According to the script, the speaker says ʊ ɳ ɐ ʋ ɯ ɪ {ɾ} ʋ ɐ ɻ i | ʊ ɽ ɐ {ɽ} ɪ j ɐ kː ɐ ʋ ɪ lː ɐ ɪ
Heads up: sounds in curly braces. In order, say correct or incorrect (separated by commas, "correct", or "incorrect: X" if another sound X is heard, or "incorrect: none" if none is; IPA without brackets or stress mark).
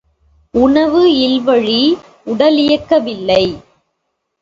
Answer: incorrect: l, incorrect: l